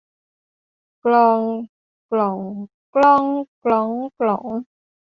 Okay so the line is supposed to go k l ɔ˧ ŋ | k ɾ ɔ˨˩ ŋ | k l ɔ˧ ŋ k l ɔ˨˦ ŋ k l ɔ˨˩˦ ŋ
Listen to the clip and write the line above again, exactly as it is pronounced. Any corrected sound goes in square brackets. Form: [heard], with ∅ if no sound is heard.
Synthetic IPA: k l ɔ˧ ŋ | k [l] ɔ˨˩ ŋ | k l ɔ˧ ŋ k l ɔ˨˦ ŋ k l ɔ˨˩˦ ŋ

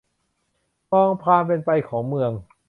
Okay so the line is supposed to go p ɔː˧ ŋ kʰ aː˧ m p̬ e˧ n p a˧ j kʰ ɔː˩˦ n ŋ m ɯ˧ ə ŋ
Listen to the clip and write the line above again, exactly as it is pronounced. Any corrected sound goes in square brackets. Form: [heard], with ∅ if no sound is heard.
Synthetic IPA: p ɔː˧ ŋ [pʰ] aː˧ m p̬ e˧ n p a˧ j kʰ ɔː˩˦ [∅] ŋ m ɯ˧ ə ŋ

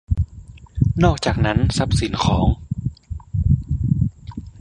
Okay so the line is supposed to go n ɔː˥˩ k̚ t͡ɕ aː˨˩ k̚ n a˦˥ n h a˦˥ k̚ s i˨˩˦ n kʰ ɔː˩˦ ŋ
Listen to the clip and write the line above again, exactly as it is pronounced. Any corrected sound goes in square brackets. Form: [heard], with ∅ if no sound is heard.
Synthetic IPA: n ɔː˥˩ k̚ t͡ɕ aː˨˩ k̚ n a˦˥ n [s] a˦˥ [p̚] s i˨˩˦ n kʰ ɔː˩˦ ŋ

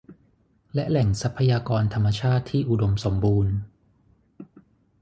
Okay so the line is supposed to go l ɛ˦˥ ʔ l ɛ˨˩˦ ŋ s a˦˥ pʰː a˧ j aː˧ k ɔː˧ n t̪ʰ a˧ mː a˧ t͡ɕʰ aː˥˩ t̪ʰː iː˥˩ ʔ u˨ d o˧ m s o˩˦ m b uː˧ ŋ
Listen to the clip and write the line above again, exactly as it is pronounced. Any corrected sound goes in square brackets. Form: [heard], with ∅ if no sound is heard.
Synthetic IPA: l ɛ˦˥ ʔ l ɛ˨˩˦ ŋ s a˦˥ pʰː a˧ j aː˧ k ɔː˧ n t̪ʰ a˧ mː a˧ t͡ɕʰ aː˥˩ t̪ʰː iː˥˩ ʔ u˨ d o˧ m s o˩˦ m b uː˧ [n]

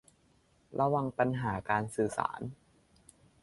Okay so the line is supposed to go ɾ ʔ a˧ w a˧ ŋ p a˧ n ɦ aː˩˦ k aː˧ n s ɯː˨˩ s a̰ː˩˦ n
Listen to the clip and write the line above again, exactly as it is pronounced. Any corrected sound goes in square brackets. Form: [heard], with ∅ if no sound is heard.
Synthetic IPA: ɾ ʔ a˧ w a˧ ŋ p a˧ n ɦ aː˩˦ k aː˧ n s ɯː˨˩ s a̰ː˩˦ n

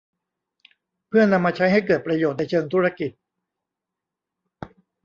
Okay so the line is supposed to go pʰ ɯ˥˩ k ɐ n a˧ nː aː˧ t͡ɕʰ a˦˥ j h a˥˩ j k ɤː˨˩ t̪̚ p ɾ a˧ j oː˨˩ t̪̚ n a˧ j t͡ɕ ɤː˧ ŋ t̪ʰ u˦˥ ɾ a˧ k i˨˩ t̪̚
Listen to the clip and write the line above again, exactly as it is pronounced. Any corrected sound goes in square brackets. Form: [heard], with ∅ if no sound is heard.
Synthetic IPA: pʰ ɯ˥˩ [∅] ɐ n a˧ [mː] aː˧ t͡ɕʰ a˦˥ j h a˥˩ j k ɤː˨˩ t̪̚ p ɾ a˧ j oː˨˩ t̪̚ n a˧ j [t͡ɕʰ] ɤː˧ ŋ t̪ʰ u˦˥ ɾ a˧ k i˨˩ t̪̚

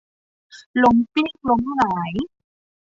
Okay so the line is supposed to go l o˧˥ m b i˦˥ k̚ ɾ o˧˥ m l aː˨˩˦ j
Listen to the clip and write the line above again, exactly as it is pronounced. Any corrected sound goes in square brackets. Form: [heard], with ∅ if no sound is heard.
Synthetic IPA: l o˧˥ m [p] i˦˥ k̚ [l] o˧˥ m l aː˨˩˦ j

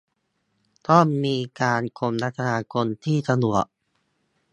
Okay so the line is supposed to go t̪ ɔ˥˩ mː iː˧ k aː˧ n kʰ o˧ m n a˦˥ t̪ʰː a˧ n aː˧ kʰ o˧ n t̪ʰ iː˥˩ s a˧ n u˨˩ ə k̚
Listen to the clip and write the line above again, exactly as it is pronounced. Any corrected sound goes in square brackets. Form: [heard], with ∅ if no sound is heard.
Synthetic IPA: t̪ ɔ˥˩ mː iː˧ k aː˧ n kʰ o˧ m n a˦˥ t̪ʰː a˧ n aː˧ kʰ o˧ n t̪ʰ iː˥˩ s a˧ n u˨˩ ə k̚

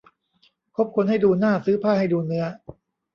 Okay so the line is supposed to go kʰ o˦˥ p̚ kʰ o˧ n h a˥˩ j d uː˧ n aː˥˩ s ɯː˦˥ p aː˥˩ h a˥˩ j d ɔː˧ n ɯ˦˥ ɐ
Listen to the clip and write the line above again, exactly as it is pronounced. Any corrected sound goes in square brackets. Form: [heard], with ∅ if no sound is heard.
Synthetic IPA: kʰ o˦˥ p̚ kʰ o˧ n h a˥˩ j d uː˧ n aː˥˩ s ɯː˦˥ [pʰ] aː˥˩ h a˥˩ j d [uː˧] n ɯ˦˥ ɐ

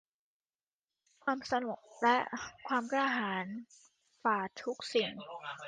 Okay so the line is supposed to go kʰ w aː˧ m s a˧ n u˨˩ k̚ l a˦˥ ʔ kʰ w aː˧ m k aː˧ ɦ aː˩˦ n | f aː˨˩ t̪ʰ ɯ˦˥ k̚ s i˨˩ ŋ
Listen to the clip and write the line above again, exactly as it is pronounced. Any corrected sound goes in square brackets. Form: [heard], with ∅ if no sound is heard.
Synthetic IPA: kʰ w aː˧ m s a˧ n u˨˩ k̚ l [ɛ˦˥] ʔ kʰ w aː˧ m k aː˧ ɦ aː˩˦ n | f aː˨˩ t̪ʰ [u˦˥] k̚ s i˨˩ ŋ

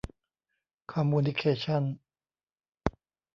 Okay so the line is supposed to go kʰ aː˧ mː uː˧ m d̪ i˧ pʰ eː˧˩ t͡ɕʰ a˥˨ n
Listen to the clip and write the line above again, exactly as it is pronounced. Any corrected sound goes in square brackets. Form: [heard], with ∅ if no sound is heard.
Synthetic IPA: kʰ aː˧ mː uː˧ [n] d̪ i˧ [kʰ] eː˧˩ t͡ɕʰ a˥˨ n

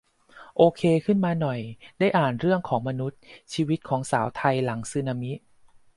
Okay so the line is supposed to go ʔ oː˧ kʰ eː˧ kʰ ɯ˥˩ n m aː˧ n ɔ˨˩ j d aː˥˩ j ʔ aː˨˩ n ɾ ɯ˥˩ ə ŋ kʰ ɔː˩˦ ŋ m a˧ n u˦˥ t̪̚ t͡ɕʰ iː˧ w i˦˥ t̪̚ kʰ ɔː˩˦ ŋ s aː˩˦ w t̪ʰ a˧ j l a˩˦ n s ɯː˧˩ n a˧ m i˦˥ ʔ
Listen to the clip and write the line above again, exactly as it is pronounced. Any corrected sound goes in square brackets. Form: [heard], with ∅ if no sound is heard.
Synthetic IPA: ʔ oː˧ kʰ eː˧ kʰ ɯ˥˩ n m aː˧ n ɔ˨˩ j d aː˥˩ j ʔ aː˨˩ n ɾ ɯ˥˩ ə ŋ kʰ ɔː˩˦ ŋ m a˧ n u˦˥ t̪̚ t͡ɕʰ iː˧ w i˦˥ t̪̚ kʰ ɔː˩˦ ŋ s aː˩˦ w t̪ʰ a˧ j l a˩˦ [ŋ] s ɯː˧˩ n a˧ m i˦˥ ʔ

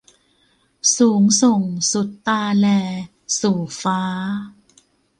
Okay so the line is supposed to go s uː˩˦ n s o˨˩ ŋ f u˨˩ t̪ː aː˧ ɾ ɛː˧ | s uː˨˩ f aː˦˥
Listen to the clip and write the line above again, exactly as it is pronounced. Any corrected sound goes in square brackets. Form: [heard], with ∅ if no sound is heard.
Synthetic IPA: s uː˩˦ [ŋ] s o˨˩ ŋ [s] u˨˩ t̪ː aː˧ [l] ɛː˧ | s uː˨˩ f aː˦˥

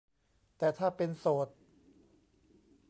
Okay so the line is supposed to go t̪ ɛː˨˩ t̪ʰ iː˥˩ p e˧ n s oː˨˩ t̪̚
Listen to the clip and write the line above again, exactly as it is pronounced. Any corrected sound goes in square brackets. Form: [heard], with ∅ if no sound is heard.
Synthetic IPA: t̪ ɛː˨˩ t̪ʰ [aː˥˩] p e˧ n s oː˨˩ t̪̚

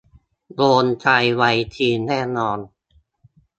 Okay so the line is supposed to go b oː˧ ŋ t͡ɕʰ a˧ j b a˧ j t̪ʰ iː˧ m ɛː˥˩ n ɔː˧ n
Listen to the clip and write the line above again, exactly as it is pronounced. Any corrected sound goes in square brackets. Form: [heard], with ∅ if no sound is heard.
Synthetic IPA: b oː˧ [n] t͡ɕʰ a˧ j [w] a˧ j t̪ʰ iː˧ [n] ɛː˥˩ n ɔː˧ n

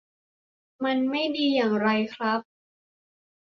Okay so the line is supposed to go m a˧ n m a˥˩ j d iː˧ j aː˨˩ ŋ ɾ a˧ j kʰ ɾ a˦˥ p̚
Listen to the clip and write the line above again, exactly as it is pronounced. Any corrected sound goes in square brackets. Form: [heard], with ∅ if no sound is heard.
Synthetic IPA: m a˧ n m a˥˩ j d iː˧ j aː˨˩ ŋ ɾ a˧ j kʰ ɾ a˦˥ p̚

